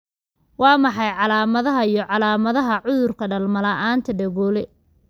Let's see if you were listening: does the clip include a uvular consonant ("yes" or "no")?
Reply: no